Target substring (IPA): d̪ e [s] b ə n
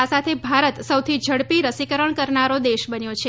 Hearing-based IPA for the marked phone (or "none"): ʃ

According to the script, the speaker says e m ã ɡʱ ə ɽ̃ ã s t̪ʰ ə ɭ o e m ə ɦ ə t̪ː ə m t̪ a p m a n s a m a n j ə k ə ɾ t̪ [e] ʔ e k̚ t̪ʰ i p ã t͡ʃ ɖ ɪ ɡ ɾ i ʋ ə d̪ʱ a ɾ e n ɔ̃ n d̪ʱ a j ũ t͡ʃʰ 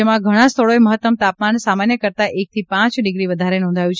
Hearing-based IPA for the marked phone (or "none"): a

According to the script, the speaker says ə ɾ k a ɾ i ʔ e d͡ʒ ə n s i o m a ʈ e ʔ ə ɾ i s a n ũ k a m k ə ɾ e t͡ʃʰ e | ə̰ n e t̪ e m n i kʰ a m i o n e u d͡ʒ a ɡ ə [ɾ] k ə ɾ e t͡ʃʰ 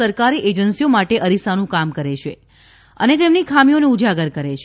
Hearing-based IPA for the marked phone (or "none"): ɾ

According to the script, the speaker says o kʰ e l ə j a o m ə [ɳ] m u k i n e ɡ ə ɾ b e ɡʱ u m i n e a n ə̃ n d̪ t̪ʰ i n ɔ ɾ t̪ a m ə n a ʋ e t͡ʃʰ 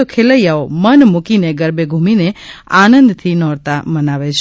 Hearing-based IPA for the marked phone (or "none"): n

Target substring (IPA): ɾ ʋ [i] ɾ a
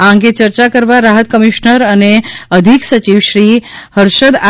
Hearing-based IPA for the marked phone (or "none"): a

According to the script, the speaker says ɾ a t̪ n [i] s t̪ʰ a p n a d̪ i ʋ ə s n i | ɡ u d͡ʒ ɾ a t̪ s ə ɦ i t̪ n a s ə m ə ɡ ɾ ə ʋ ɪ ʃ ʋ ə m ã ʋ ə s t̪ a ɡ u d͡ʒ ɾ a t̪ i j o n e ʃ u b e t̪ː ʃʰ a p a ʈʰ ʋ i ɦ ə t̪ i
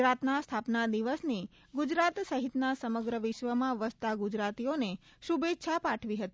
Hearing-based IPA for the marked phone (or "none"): a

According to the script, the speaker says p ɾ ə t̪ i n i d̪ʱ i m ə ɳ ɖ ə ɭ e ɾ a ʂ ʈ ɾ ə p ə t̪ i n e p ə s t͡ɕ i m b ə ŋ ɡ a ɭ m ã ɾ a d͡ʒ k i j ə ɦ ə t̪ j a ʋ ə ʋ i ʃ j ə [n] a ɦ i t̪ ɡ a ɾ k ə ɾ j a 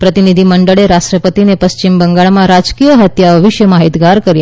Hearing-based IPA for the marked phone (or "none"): m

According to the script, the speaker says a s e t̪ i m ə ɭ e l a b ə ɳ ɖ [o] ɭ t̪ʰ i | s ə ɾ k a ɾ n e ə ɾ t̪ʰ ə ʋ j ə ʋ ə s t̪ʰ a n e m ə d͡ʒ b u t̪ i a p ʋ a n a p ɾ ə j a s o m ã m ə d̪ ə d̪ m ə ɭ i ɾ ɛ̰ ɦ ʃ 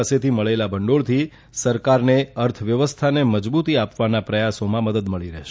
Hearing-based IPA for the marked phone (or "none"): o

